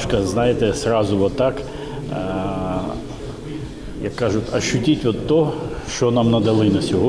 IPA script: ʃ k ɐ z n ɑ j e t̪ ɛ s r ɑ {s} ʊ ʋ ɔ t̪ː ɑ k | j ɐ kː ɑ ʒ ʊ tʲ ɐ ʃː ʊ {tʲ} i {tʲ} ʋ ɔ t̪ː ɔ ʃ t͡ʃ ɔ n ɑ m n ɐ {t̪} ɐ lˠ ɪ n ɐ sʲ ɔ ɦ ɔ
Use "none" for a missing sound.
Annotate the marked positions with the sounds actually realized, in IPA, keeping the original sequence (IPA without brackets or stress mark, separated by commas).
z, tʲ, tʲ, d̪